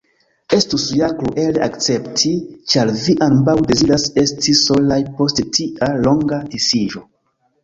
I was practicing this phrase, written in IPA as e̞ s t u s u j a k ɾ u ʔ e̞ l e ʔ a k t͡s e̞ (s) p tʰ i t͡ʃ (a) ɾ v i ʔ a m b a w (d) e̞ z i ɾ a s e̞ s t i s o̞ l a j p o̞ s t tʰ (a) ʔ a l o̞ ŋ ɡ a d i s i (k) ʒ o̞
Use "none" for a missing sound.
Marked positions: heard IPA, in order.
none, a, d, i, none

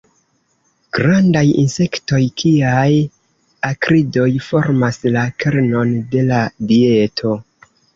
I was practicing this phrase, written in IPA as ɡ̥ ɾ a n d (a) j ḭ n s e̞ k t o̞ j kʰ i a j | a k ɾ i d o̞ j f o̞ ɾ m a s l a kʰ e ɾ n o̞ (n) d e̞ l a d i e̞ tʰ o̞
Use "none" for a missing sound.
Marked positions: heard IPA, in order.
a, n

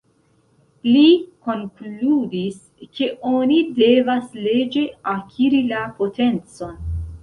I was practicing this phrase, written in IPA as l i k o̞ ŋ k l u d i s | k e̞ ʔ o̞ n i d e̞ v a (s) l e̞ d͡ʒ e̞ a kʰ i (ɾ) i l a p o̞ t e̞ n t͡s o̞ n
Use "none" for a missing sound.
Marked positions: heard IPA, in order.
s, ɾ

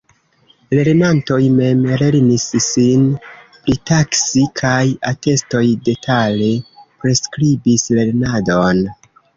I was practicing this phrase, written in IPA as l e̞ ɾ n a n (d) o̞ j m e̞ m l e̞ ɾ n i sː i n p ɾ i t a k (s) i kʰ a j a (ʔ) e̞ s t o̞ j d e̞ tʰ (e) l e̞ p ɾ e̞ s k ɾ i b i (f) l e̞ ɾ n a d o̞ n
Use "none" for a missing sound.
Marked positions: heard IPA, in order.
t, s, t, a, s

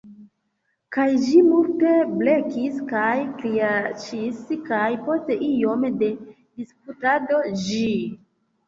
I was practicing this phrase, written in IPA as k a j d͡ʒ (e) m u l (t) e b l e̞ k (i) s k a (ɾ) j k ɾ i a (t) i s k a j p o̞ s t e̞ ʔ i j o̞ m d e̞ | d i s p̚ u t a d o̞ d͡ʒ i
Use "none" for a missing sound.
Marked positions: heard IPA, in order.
i, t, i, none, t͡ʃ

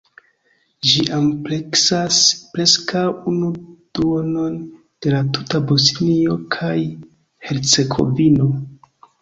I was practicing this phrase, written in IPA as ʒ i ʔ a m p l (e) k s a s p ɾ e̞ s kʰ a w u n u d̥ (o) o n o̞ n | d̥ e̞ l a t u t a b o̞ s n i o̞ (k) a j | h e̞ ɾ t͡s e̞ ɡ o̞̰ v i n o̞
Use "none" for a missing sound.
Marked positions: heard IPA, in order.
e, u, kʰ

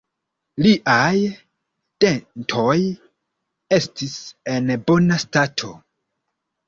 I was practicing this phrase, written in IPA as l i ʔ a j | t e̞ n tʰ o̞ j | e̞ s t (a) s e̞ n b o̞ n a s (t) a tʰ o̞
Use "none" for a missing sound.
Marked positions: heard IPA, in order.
i, t

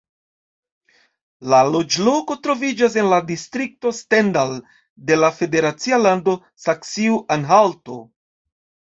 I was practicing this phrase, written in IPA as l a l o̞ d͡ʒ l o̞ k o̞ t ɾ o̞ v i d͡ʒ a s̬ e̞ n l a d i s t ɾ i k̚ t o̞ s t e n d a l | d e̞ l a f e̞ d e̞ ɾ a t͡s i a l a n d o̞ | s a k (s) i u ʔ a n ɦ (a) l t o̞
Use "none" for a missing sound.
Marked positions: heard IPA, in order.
s, a

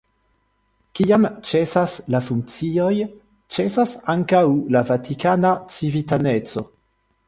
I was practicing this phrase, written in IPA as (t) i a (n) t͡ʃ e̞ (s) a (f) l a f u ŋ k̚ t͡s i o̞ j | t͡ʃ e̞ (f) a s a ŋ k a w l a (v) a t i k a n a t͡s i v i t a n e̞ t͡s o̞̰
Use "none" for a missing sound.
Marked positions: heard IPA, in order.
k, m, s, s, s, v

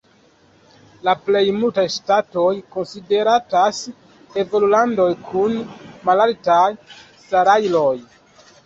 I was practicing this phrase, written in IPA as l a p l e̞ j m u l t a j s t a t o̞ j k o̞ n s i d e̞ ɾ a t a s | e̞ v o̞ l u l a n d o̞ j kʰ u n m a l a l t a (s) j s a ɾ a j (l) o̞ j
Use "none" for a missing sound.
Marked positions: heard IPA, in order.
none, l

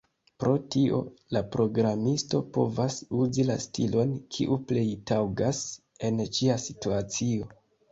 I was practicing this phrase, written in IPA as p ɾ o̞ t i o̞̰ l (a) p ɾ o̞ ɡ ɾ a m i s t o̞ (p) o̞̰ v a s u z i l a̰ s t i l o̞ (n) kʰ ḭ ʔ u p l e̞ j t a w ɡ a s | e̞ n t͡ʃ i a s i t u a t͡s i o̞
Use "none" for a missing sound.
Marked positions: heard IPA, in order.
a, p, n

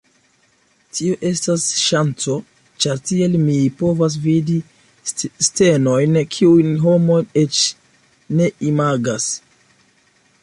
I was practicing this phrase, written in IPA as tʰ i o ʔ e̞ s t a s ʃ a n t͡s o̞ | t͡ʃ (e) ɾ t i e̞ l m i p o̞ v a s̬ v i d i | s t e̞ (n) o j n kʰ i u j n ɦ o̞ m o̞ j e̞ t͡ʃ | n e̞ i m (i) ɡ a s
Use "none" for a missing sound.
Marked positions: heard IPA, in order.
a, n, a

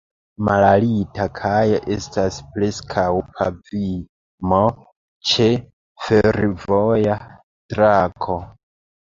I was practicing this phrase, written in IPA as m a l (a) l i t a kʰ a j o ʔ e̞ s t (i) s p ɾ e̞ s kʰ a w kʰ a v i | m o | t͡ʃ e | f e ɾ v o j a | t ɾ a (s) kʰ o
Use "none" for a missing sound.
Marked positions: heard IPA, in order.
a, a, none

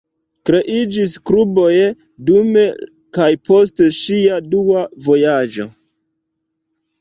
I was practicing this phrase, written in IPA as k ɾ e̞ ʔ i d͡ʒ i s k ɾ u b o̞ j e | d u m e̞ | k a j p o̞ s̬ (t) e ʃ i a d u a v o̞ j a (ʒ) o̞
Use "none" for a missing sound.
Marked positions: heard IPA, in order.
t, d͡ʒ

